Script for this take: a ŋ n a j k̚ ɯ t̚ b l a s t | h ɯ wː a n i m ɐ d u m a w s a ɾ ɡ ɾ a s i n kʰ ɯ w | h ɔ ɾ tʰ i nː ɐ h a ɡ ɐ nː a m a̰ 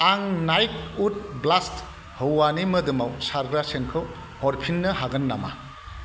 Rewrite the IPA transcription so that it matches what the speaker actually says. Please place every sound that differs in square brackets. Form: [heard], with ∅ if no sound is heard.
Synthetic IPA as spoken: a ŋ n a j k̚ [u] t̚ b l a s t | h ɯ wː a n i m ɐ d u m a w s a ɾ ɡ ɾ a s [e] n kʰ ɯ w | h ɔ ɾ [pʰ] i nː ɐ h a ɡ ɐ nː a m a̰